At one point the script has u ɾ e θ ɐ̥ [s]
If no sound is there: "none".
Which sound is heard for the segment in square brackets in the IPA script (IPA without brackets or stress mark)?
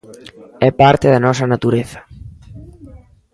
none